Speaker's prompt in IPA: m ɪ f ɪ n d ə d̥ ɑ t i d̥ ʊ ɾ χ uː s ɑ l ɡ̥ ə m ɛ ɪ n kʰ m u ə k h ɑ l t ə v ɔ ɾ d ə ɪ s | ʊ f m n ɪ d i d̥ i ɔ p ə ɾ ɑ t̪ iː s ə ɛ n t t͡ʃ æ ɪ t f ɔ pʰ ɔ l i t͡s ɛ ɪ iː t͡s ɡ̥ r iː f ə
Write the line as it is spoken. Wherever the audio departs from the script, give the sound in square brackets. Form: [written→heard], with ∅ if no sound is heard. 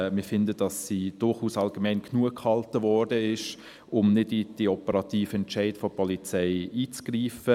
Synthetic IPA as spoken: m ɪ f ɪ n d ə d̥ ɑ [t→s] i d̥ ʊ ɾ χ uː s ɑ l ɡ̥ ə m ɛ ɪ n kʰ [m→n] u ə k h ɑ l t ə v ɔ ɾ d ə ɪ [s→ʃ] | ʊ [f→∅] m n ɪ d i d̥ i ɔ p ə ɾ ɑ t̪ iː [s→f] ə ɛ n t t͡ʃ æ ɪ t f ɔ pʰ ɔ l i t͡s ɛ ɪ iː t͡s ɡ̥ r iː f ə